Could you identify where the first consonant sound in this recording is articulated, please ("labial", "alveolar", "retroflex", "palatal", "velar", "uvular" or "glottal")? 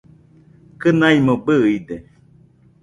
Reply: velar